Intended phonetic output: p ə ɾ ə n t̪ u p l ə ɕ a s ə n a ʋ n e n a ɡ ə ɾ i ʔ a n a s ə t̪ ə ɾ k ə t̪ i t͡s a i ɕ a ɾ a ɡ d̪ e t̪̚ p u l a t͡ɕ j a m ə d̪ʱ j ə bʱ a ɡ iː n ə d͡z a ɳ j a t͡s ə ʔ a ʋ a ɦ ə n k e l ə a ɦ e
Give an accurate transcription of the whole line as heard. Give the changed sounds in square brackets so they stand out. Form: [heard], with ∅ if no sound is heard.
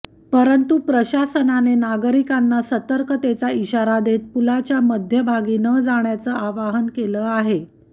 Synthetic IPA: p ə ɾ ə n t̪ u p [ɾ] ə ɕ a s ə n a [∅] n e n a ɡ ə ɾ i [k] a [nː] a s ə t̪ ə ɾ k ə t̪ [e] t͡s a i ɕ a ɾ a [∅] d̪ e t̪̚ p u l a t͡ɕ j a m ə d̪ʱ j ə bʱ a ɡ iː n ə d͡z a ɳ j a t͡s ə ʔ a ʋ a ɦ ə n k e l ə a ɦ e